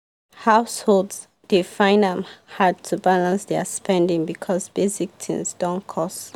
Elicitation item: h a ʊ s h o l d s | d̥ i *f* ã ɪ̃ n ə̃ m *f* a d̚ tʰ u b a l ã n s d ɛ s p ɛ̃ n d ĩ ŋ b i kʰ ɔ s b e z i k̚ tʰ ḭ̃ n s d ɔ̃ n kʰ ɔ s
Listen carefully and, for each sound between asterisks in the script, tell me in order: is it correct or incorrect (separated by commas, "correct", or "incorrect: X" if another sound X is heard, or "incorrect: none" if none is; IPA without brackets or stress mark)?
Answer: correct, incorrect: h